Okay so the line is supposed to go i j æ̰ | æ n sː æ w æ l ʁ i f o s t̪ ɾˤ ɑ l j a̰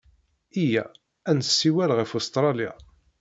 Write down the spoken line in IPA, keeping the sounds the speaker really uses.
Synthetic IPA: i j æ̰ | æ n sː i w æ l ʁ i f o s t̪ ɾˤ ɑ l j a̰